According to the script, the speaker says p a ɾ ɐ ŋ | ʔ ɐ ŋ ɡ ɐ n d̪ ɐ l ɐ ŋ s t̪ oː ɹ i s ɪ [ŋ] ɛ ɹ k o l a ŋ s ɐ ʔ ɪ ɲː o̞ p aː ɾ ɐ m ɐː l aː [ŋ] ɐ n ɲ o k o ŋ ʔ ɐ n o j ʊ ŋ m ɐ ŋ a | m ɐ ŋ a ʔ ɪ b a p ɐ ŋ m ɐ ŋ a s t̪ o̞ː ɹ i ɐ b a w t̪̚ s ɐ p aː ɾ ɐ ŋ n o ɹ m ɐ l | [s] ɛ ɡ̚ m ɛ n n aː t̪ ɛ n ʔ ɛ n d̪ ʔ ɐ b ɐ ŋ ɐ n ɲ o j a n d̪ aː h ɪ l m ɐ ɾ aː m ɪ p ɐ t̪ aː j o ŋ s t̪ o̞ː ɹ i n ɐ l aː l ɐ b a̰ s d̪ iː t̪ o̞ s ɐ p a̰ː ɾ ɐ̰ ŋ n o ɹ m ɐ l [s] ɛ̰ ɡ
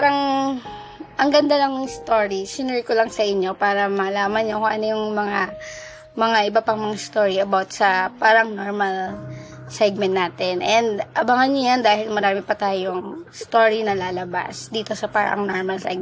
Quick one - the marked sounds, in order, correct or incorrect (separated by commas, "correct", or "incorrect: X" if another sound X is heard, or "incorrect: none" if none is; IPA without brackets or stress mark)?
incorrect: n, incorrect: m, correct, correct